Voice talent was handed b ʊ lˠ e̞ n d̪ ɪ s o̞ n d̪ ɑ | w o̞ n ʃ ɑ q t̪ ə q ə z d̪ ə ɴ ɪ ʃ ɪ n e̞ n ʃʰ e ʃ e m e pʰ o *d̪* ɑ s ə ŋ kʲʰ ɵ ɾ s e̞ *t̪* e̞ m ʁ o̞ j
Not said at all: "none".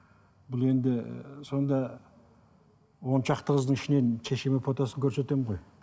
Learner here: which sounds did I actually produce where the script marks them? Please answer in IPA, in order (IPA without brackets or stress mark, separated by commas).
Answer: t̪, t̪